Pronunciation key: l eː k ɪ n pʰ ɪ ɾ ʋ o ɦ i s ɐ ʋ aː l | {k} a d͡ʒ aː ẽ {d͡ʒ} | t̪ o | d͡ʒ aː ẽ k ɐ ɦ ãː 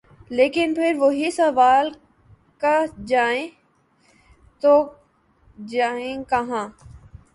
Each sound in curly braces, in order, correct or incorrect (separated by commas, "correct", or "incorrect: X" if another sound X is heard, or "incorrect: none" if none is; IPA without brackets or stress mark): correct, incorrect: none